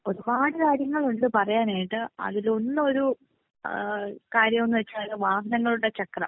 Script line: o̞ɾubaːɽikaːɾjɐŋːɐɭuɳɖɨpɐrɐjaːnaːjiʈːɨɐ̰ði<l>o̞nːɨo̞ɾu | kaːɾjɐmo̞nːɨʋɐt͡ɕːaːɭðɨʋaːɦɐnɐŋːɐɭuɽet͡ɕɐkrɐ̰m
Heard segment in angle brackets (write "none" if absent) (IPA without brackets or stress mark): l